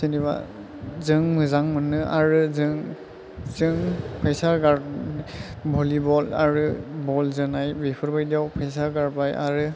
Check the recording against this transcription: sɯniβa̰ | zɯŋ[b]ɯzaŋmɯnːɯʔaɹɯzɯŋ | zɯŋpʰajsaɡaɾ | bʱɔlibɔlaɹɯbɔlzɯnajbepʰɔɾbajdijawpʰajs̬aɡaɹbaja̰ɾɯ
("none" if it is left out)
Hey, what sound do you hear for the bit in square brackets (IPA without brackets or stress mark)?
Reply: m